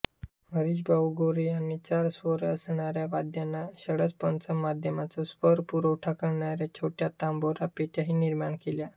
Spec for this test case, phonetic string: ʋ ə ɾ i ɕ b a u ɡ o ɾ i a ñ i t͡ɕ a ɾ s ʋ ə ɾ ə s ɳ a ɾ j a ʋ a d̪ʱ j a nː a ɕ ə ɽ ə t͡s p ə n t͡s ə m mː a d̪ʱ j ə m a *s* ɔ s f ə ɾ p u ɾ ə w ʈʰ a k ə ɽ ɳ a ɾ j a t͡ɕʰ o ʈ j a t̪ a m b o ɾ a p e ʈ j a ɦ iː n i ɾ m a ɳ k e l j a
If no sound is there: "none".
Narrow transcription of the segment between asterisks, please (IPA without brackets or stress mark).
t͡s